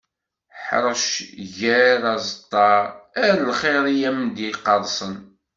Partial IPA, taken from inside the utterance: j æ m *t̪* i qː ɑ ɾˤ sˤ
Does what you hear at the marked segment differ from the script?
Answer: yes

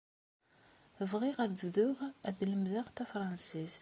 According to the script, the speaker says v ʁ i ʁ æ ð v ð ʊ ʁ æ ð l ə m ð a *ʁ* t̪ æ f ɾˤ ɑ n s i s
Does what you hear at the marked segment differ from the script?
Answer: no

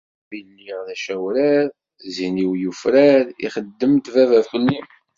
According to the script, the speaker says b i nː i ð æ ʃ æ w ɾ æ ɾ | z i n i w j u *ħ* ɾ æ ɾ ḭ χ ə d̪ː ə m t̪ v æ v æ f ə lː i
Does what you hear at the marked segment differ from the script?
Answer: yes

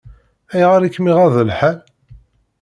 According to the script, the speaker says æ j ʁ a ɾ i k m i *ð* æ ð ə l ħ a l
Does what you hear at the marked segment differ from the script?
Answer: yes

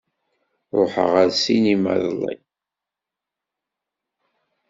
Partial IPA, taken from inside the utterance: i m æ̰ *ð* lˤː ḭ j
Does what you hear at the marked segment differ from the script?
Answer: no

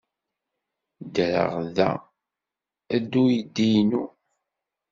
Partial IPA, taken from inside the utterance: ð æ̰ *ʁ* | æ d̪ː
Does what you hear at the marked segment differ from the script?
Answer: yes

